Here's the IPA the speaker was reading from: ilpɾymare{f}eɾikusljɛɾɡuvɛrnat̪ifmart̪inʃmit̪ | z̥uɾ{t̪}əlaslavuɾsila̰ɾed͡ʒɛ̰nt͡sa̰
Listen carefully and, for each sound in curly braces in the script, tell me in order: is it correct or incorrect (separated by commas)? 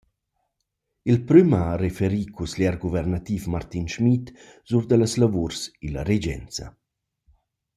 correct, incorrect